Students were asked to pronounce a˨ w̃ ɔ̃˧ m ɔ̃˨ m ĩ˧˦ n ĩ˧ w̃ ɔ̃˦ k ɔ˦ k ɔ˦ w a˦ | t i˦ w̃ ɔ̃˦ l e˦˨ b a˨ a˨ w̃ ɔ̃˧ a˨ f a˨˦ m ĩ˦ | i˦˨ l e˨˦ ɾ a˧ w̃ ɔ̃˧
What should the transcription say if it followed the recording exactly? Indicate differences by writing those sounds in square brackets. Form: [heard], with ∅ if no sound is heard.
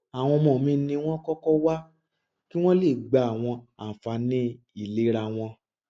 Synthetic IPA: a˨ w̃ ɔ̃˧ m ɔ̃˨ m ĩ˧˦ n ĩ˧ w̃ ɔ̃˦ k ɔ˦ k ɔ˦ w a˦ | [k] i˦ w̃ ɔ̃˦ l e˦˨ [ɡ͡b] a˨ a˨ w̃ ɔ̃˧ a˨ f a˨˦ [n] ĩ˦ | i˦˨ l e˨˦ ɾ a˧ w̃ ɔ̃˧